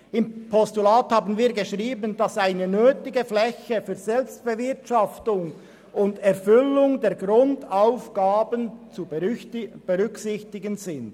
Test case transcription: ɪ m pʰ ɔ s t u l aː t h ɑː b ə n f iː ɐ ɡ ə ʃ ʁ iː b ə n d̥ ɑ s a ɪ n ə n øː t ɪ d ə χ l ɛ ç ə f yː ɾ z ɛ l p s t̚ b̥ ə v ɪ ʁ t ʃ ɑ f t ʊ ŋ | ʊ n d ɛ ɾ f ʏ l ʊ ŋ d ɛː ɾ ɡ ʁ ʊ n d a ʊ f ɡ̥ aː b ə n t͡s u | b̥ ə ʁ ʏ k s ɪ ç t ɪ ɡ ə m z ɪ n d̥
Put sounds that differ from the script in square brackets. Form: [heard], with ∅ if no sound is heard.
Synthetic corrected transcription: ɪ m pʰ ɔ s t u l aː t h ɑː b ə n [v] iː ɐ ɡ ə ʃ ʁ iː b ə n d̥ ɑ s a ɪ n ə n øː t ɪ [ɡ] ə [f] l ɛ ç ə f yː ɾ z ɛ l p s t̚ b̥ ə v ɪ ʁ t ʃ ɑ f t ʊ ŋ | ʊ n d ɛ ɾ f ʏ l ʊ ŋ d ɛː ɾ ɡ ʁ ʊ n d a ʊ f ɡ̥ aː b ə n t͡s u | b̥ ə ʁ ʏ k s ɪ ç t ɪ ɡ ə [n] z ɪ n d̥

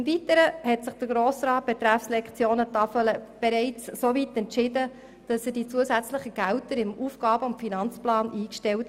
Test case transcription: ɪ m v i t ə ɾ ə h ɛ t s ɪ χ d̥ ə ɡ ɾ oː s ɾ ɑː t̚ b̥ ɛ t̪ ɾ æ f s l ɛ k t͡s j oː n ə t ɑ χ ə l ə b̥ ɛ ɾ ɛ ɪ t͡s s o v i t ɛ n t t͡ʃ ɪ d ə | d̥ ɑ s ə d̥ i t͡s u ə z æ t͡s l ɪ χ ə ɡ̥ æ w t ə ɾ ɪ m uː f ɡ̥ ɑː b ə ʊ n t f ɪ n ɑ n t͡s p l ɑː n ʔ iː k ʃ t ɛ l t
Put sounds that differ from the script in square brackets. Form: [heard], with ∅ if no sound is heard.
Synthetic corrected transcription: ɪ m v i t ə ɾ ə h ɛ t s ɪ χ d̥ ə ɡ ɾ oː s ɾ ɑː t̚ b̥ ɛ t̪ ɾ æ f s l ɛ k t͡s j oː n ə t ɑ [f] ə l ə b̥ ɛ ɾ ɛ ɪ t͡s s o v i t ɛ n t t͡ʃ ɪ d ə | d̥ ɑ s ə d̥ i t͡s u ə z æ t͡s l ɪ χ ə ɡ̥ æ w t ə ɾ ɪ m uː f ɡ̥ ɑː b ə ʊ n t f [i] n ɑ n t͡s p l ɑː n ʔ iː k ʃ t ɛ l t

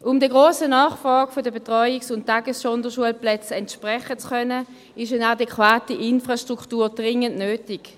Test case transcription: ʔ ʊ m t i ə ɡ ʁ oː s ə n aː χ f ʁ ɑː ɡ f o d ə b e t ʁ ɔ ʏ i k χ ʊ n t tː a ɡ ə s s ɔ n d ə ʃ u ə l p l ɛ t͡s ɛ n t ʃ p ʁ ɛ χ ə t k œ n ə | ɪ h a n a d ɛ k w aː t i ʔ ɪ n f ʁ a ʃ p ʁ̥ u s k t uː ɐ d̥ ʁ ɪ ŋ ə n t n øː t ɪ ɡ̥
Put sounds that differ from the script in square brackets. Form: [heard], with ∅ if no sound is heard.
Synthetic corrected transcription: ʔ ʊ m [d] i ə ɡ ʁ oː s ə n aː χ f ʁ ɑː ɡ f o d ə b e t ʁ ɔ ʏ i k [s] ʊ n t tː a ɡ ə s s ɔ n d ə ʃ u ə l p l ɛ t͡s ɛ n t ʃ p ʁ ɛ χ ə [t͡s] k œ n ə | ɪ [ʃ] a n a d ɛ k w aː t i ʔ ɪ n f ʁ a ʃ [t] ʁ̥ u [∅] k t uː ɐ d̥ ʁ ɪ ŋ ə n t n øː t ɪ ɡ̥

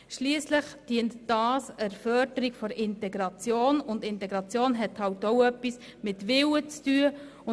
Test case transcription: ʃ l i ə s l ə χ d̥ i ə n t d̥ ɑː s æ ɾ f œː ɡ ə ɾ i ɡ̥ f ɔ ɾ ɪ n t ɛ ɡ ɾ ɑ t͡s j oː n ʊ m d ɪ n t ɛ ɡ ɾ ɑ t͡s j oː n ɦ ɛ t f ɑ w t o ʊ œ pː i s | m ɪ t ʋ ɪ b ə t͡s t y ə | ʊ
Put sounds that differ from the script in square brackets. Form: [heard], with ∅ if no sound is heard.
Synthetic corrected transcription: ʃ l i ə s l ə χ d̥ i ə n t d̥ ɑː s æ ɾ f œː [d] ə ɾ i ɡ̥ f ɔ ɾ ɪ n t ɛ ɡ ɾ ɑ t͡s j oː n ʊ [n] d ɪ n t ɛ ɡ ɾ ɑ t͡s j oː n ɦ ɛ t [h] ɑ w t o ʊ œ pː i s | m ɪ t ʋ ɪ [w] ə t͡s t y ə | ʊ

